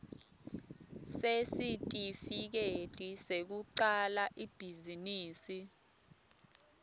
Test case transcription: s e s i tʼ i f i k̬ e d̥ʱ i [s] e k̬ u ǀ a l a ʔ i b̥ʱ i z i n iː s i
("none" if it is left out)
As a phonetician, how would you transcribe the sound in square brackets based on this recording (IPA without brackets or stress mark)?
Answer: s